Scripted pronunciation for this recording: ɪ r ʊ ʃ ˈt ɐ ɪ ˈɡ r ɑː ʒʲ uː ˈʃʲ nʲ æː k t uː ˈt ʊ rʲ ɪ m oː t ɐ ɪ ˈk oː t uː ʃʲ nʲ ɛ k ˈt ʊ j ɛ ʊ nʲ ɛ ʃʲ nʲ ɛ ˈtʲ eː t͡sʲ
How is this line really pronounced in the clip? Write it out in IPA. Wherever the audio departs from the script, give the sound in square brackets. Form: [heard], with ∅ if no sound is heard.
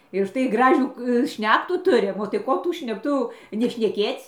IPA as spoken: ɪ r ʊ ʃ ˈt ɐ ɪ ˈɡ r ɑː ʒʲ uː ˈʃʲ nʲ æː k t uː ˈt ʊ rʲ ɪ m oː t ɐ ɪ ˈk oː t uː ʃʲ nʲ ɛ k ˈt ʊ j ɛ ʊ nʲ ɛ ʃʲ nʲ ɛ [ˈkʲ] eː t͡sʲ